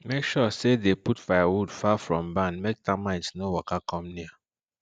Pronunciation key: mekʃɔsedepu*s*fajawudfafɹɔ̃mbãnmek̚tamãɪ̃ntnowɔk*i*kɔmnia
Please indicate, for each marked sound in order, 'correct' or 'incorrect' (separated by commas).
incorrect, incorrect